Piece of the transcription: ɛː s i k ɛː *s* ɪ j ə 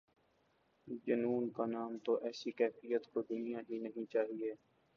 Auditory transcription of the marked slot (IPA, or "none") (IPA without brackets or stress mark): f